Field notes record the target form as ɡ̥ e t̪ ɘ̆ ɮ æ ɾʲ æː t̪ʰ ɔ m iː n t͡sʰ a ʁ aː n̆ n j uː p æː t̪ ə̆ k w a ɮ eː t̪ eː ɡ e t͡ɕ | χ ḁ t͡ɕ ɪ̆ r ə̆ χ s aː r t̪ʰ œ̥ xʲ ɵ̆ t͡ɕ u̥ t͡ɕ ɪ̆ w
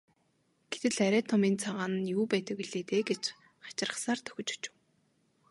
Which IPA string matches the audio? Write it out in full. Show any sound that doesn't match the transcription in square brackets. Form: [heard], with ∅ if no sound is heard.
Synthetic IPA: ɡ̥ e t̪ ɘ̆ ɮ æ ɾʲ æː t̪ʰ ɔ m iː n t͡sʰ a ʁ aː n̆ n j uː p æː t̪ ə̆ k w [i] ɮ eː t̪ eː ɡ e t͡ɕ | χ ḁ t͡ɕ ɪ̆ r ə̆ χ s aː r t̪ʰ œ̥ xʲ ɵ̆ t͡ɕ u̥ t͡ɕ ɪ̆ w